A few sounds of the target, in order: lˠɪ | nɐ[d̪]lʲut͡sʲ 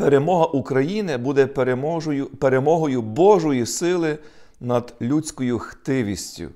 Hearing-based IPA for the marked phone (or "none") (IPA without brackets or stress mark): d̪